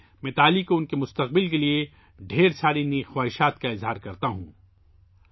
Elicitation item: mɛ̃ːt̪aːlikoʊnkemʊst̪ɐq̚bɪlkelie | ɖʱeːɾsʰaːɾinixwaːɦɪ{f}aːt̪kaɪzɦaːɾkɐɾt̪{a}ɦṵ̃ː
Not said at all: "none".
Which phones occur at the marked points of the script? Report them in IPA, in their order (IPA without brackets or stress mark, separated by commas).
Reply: ʃ, a